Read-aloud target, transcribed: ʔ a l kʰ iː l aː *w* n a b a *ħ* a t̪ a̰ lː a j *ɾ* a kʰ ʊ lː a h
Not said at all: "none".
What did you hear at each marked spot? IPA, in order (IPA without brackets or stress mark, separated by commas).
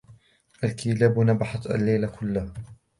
b, ħ, l